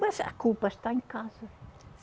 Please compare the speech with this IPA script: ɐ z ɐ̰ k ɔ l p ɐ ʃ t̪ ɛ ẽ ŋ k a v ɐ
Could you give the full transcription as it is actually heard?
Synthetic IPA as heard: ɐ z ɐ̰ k u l p ɐ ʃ t̪ a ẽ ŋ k a z ɐ